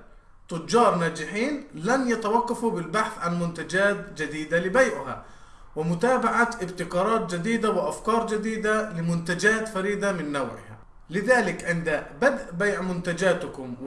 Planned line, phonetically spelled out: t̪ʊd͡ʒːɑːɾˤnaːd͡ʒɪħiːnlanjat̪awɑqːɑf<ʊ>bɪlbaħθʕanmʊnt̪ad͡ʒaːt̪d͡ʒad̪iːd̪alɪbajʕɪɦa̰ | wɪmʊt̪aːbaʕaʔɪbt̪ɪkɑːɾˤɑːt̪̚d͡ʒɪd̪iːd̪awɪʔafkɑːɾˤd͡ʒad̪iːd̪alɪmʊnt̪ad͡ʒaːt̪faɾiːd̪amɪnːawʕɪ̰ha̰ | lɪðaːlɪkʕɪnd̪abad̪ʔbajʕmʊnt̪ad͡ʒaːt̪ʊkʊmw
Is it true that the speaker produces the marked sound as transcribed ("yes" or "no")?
no